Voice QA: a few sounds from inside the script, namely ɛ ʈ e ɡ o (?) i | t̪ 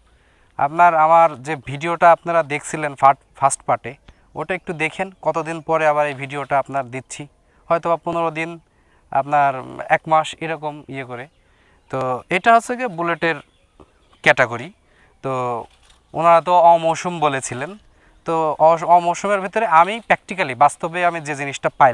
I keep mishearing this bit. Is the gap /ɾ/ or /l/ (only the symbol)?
ɾ